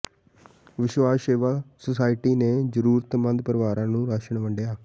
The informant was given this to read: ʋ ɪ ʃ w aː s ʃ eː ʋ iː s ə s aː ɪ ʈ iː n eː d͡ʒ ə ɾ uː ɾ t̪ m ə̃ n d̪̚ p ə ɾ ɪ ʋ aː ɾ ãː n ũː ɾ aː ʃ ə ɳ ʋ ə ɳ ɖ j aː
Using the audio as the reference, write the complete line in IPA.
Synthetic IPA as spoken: ʋ ɪ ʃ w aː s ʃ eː ʋ aː s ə s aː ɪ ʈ iː n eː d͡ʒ ə ɾ uː ɾ t̪ m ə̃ n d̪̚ p ə ɾ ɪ ʋ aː ɾ ãː n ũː ɾ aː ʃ ə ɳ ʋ ə ɳ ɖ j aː